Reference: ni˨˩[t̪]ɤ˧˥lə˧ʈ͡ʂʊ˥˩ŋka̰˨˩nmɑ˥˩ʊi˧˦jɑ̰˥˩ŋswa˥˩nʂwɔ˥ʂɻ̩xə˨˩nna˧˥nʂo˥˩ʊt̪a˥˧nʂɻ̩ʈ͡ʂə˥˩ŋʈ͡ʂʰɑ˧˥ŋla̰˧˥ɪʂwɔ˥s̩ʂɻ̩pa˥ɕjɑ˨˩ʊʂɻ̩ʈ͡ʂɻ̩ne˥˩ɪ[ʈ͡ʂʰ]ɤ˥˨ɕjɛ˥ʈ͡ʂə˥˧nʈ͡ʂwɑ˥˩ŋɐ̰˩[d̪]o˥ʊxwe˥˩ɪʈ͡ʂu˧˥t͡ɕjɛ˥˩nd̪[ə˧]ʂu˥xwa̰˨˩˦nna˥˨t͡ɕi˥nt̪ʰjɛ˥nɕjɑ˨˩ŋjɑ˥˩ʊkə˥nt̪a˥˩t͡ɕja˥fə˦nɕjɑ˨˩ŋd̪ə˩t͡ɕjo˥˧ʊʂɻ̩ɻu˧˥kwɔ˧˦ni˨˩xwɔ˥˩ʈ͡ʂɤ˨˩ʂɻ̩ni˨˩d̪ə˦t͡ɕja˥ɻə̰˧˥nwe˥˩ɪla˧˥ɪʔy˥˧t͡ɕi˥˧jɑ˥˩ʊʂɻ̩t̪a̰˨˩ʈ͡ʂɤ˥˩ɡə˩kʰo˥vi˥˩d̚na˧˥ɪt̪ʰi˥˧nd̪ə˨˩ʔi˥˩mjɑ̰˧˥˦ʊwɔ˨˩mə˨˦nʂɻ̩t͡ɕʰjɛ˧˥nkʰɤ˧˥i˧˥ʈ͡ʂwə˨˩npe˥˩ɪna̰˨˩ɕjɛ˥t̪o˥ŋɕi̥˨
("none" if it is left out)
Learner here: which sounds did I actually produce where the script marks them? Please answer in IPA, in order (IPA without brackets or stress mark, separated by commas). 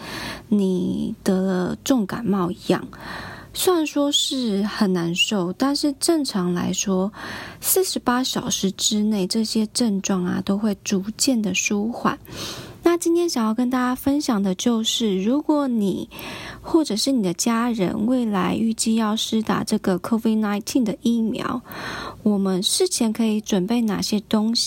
t̪, ʈ͡ʂ, t̪, ə˩